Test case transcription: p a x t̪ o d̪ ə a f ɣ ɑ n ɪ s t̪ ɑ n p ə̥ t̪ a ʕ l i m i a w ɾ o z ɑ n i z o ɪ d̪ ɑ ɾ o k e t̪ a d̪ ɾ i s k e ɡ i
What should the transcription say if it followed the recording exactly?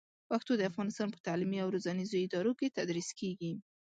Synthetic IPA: p a x t̪ o d̪ ə a f ɣ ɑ n ɪ s t̪ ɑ n p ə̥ t̪ a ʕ l i m i a w ɾ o z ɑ n i z o ɪ d̪ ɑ ɾ o k e t̪ a d̪ ɾ i s k e ɡ i